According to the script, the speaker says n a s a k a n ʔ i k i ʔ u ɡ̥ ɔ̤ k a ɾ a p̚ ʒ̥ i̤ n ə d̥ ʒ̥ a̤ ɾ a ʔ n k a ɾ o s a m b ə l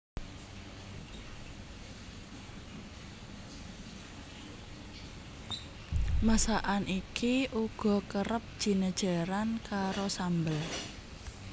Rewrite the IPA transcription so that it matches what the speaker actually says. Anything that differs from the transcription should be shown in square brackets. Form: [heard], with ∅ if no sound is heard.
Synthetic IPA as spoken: [m] a s a [ʔ] a n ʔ i k i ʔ u ɡ̥ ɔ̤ k [ə] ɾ [ə] p̚ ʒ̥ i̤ n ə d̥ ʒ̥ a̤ ɾ a [∅] n k a ɾ o s a m b ə l